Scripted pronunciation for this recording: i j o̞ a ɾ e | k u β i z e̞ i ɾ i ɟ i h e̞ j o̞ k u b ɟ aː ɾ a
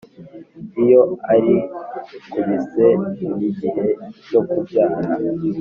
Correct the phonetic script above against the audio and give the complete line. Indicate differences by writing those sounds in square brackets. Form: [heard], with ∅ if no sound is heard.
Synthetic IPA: i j o̞ a ɾ [i] | k u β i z e̞ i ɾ i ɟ i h e̞ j o̞ k u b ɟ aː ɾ a